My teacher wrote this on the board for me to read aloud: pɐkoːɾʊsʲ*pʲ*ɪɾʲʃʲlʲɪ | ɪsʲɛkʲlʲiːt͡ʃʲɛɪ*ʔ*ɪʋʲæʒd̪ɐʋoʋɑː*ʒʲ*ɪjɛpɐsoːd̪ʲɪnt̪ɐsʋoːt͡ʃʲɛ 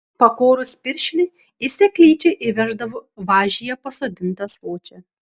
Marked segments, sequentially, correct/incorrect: correct, correct, correct

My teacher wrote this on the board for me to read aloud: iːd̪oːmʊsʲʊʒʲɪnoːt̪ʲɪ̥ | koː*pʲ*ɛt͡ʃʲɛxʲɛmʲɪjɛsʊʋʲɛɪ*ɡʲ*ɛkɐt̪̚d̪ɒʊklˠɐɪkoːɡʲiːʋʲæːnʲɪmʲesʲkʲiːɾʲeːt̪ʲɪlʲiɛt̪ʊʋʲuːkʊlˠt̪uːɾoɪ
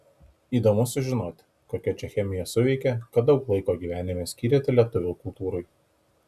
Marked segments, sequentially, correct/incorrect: incorrect: kʲ, incorrect: kʲ

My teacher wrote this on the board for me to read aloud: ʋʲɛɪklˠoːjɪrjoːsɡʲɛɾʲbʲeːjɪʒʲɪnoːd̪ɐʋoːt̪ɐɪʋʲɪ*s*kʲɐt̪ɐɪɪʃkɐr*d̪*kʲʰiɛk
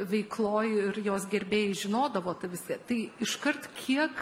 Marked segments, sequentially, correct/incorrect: correct, incorrect: t̪

